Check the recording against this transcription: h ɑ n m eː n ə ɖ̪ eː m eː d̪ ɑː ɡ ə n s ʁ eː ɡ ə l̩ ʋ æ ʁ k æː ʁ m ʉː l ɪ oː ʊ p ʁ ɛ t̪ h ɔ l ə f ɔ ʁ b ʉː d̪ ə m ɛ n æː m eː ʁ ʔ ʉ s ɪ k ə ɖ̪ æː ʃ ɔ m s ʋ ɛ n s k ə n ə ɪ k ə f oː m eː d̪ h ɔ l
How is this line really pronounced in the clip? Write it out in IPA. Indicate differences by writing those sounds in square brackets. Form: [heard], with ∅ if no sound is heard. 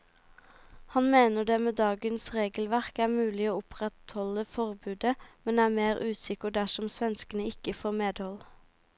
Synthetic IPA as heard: h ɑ n m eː n ə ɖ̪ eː m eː d̪ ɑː ɡ ə n s ʁ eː ɡ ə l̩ ʋ æ ʁ k æː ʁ m ʉː l ɪ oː ʊ p ʁ ɛ t̪ h ɔ l ə f ɔ ʁ b ʉː d̪ ə m ɛ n æː m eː ʁ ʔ [ʉː] s ɪ k ə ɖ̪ [æ] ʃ ɔ m s ʋ ɛ n s k ə n ə ɪ k ə f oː m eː d̪ h ɔ l

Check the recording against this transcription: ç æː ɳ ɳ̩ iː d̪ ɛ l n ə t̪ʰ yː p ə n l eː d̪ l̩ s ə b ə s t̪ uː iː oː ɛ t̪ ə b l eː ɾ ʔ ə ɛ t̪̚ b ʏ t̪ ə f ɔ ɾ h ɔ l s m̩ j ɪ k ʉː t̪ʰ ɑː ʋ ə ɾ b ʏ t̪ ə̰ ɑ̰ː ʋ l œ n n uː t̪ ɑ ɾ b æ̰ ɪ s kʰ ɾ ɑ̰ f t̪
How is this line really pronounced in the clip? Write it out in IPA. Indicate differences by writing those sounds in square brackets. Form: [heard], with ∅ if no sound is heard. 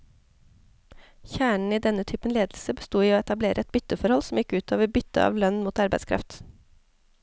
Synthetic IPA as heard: ç æː ɳ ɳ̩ iː d̪ ɛ [∅] n ə t̪ʰ yː p ə n l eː d̪ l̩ s ə b ə s t̪ uː iː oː ɛ t̪ [ɑ] b l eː ɾ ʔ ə ɛ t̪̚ b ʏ t̪ ə f ɔ ɾ h ɔ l s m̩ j ɪ k ʉː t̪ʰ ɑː ʋ ə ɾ b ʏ t̪ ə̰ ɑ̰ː ʋ l œ n [m] uː t̪ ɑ ɾ b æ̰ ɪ s kʰ ɾ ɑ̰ f t̪

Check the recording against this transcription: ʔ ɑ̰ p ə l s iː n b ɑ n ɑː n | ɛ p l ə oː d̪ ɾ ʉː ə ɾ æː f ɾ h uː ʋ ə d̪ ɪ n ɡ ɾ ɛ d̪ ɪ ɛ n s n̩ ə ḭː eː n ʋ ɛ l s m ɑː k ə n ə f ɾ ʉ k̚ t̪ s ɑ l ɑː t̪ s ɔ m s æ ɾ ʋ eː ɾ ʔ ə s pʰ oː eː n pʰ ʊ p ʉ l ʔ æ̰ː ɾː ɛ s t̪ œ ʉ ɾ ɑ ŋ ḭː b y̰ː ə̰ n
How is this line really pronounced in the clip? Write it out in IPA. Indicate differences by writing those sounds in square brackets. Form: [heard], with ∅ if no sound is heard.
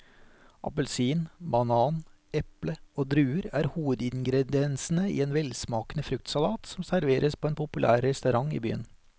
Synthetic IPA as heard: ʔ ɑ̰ p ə l s iː n b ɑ n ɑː n | ɛ p l ə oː d̪ ɾ ʉː ə ɾ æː [∅] ɾ h uː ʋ ə d̪ ɪ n ɡ ɾ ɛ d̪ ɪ ɛ n s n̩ ə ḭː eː n ʋ ɛ l s m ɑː k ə n ə f ɾ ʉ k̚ t̪ s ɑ l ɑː t̪ s ɔ m s æ ɾ ʋ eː ɾ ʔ ə s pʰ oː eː n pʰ ʊ p ʉ l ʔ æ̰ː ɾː ɛ s t̪ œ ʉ ɾ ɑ ŋ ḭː b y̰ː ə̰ n

